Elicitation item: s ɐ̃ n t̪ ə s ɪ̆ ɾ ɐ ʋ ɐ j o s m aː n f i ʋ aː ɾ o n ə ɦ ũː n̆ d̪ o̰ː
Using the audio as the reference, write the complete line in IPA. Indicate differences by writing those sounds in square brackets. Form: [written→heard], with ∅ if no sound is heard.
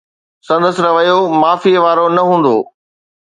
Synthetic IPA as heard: s ɐ̃ n [t̪→d̪] ə s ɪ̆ ɾ ɐ ʋ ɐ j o [s→∅] m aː [n→∅] f i ʋ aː ɾ o n [ə→ɐ] ɦ ũː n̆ d̪ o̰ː